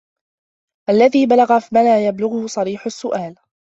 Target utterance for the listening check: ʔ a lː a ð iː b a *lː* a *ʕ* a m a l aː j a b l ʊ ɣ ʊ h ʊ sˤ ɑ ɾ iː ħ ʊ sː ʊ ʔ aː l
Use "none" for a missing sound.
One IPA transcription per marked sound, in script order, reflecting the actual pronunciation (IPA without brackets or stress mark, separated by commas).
l, ɣ